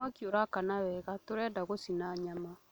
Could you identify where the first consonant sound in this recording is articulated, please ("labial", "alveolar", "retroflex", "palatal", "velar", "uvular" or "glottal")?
velar